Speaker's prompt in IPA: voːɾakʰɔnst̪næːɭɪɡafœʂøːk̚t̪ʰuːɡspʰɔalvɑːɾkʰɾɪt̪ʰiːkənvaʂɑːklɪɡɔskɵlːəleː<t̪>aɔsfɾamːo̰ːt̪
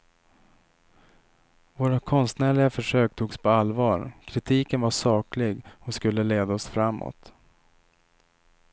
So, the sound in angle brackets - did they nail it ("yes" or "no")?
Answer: no